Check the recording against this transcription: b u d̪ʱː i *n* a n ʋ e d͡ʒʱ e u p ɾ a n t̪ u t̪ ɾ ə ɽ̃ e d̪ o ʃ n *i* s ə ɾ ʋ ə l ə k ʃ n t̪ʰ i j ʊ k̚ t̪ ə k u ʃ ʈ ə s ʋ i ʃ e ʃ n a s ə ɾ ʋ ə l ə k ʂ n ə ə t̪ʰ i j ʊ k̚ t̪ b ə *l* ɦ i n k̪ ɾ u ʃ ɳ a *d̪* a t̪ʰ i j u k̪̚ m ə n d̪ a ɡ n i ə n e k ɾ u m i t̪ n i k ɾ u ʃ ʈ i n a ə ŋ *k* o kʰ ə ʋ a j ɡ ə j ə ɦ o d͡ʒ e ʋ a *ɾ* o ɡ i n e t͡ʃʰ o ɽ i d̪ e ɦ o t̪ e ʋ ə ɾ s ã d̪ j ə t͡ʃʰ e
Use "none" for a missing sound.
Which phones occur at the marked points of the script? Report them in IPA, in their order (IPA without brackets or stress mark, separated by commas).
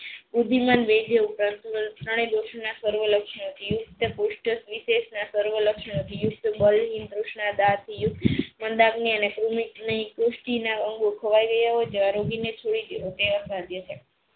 m, a, l, d̪, ɡ, ɾ